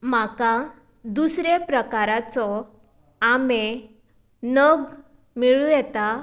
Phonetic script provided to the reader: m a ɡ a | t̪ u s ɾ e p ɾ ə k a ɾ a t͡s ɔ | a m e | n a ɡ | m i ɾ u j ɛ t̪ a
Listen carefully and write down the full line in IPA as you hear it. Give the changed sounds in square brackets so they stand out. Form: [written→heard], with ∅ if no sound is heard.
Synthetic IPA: m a [ɡ→k] a | [t̪→d̪] u s ɾ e p ɾ ə k a ɾ a t͡s ɔ | a m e | n [a→ə] ɡ | m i [ɾ→ɭ] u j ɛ t̪ a